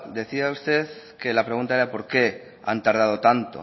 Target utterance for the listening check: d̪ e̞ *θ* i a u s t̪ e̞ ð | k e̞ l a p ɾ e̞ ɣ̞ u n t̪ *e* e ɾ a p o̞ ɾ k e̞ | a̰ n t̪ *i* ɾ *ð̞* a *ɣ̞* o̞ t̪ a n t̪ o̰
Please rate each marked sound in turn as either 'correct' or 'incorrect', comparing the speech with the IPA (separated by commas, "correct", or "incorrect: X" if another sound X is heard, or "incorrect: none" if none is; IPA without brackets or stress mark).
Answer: correct, incorrect: a, incorrect: a, correct, incorrect: ð̞